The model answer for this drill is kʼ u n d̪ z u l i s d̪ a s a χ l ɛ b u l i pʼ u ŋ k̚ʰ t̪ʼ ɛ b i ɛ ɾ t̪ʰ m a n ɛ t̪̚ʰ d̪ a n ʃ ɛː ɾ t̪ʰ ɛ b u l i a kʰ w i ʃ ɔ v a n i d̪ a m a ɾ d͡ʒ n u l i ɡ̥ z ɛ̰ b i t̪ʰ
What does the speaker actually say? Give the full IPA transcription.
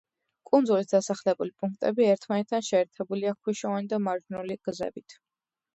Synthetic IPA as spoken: kʼ u n d̪ z u l i s d̪ a s a χ l ɛ b u l i pʼ u ŋ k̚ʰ t̪ʼ ɛ b i ɛ ɾ t̪ʰ m a n ɛ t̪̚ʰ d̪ a n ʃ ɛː ɾ t̪ʰ ɛ b u l i a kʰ w i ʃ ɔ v a n i d̪ a m a ɾ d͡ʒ n u l i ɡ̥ z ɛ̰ b i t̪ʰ